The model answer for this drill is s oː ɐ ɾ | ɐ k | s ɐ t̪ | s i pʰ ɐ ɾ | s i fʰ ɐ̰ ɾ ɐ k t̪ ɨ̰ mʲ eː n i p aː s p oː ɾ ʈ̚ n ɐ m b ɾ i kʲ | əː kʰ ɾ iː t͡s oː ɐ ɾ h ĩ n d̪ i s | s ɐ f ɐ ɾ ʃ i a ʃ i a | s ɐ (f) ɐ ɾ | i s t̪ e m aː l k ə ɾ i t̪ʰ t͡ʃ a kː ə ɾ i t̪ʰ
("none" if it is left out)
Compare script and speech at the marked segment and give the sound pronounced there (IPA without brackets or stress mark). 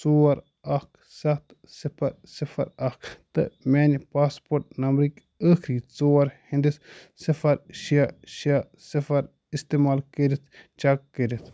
f